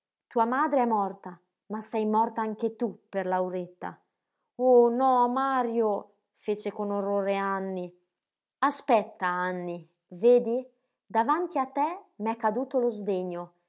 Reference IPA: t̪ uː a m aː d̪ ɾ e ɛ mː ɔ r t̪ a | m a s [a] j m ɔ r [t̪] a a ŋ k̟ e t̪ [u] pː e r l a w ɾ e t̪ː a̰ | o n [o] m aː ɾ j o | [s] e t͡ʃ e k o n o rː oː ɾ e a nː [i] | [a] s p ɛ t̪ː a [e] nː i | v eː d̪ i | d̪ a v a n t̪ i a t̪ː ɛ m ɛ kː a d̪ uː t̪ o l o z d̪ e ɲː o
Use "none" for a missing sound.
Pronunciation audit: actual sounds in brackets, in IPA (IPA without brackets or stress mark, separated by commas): ɛ, t̪, u, ɔ, f, i, a, a